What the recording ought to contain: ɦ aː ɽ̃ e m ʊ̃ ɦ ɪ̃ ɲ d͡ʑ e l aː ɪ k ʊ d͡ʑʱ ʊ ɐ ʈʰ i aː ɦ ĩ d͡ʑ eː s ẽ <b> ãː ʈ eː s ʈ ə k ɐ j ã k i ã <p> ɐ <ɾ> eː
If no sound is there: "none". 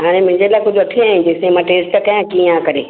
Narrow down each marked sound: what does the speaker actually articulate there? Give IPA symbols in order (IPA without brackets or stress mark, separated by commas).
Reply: m, k, ɾ